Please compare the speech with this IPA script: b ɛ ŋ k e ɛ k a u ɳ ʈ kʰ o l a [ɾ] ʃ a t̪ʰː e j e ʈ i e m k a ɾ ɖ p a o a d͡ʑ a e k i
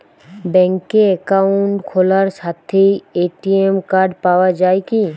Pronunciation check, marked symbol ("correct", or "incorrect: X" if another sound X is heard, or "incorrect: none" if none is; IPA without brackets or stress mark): correct